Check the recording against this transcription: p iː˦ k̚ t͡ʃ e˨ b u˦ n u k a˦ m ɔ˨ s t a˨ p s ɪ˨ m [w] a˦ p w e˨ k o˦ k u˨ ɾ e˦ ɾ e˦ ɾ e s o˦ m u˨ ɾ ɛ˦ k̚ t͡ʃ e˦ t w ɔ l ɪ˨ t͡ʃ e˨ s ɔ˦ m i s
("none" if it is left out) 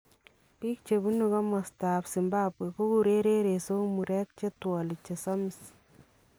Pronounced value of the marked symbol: b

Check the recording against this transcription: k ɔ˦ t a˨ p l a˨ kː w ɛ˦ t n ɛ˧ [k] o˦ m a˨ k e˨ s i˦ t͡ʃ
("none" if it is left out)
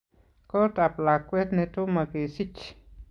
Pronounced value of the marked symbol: t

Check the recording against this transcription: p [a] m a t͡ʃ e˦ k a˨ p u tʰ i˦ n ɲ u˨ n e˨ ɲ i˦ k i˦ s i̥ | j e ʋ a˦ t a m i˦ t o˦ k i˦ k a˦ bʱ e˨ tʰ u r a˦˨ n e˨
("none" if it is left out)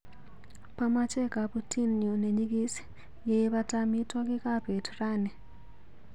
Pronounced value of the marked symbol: a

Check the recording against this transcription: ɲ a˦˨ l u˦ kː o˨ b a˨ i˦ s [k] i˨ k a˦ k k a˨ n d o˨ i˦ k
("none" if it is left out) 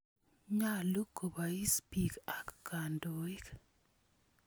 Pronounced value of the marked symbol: p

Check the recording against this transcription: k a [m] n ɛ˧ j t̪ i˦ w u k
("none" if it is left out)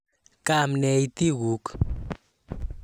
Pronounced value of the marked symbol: m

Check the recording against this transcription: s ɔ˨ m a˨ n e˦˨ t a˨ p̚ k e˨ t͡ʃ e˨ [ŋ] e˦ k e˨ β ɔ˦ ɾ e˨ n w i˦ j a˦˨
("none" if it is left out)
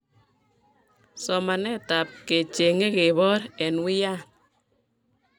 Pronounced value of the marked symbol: ŋ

